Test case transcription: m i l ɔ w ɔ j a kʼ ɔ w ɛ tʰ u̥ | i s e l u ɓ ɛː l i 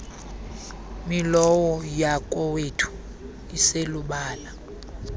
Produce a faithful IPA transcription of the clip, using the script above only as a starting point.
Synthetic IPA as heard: m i l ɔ w ɔ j a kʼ ɔ w e tʰ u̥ | i s e l u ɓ aː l a